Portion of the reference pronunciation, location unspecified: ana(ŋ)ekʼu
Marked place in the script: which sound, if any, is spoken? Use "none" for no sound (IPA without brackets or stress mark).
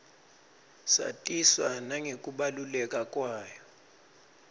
ŋ